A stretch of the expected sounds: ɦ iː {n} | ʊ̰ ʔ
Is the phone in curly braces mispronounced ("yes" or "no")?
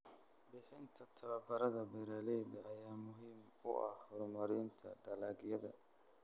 yes